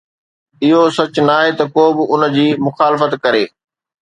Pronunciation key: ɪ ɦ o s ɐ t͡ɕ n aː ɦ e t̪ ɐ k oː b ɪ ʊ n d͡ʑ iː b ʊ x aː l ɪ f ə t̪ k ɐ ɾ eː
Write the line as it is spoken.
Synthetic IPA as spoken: ɪ ɦ o s ɐ t͡ɕ n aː ɦ e t̪ ɐ k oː b ɪ ʊ n d͡ʑ iː m ʊ x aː l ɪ f ə t̪ k ɐ ɾ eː